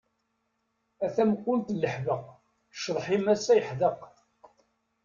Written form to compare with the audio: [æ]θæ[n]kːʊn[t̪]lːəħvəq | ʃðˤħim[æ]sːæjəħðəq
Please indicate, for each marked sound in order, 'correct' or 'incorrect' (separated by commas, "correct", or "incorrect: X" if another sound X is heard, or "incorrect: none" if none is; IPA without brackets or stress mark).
correct, incorrect: m, correct, correct